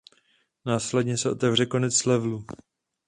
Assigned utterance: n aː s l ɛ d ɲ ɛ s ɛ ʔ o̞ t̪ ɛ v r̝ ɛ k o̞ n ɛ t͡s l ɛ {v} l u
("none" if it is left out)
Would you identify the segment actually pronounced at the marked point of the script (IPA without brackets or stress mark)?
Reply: v